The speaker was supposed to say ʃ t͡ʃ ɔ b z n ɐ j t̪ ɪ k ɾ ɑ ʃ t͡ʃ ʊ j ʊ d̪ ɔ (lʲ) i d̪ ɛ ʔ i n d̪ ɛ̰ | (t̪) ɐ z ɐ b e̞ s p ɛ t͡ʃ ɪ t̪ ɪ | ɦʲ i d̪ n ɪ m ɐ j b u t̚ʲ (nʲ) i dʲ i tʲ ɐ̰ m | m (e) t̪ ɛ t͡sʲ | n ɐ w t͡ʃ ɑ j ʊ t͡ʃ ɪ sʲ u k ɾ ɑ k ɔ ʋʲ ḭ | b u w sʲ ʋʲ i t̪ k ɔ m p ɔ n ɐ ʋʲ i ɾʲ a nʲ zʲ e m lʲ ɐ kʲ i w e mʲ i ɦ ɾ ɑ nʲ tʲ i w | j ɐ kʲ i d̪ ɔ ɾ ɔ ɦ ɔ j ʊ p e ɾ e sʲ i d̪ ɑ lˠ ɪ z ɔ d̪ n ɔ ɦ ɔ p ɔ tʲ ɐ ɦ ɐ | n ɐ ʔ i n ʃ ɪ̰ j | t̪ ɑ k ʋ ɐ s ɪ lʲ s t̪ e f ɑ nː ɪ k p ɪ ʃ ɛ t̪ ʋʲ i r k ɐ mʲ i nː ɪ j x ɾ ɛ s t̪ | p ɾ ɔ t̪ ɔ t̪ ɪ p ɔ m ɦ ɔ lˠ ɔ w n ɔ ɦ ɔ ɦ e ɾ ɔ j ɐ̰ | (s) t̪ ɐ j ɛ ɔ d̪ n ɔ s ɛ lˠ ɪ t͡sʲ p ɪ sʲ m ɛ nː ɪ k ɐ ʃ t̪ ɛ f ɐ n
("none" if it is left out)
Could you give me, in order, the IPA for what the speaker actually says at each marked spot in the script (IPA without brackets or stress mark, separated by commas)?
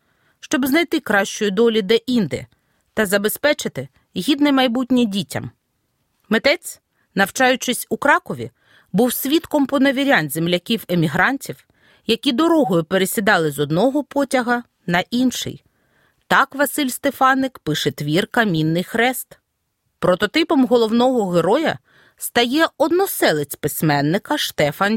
lʲ, t̪, nʲ, e, s